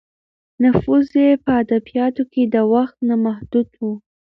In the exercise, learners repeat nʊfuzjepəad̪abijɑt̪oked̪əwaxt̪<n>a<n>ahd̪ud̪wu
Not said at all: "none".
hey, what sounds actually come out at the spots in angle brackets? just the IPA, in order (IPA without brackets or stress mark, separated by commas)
n, m